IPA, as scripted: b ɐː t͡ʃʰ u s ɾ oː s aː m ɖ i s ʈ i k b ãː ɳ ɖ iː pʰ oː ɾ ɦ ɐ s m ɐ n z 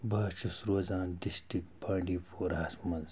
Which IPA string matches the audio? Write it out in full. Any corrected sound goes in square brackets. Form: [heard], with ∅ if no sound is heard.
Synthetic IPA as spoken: b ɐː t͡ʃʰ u s ɾ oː [z] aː [n] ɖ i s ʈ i k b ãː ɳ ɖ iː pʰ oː ɾ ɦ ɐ s m ɐ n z